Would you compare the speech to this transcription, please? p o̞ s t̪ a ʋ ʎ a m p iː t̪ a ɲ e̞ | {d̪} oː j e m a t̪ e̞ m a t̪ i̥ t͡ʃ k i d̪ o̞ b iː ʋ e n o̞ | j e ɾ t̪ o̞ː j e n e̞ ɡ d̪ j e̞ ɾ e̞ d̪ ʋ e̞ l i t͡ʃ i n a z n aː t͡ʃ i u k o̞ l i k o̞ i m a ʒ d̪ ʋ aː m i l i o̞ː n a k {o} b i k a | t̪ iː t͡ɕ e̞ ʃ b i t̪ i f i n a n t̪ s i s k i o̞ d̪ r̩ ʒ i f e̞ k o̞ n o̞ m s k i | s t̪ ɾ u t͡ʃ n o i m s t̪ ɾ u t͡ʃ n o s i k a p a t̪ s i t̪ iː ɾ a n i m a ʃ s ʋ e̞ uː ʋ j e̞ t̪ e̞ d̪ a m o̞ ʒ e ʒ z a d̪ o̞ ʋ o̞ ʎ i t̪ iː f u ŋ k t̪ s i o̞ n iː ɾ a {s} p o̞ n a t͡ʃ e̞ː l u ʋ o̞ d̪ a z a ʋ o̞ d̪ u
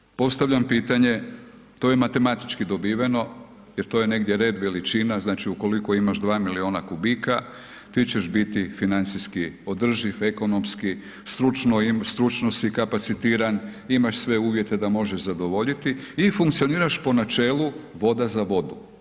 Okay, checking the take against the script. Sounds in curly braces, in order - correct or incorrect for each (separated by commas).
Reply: incorrect, incorrect, incorrect